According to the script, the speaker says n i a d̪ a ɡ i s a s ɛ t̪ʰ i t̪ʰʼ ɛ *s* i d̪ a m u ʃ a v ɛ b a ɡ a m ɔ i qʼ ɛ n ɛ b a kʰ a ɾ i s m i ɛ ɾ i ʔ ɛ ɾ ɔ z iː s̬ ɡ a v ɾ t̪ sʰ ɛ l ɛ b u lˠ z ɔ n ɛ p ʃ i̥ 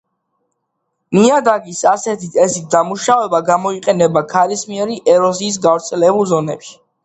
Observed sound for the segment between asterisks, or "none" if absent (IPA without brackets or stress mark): s